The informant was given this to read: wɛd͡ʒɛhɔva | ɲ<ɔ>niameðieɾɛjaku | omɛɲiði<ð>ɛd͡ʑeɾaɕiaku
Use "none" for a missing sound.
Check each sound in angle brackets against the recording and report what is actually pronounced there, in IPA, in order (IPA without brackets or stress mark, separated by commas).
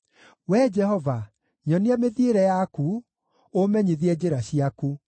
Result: ɔ, none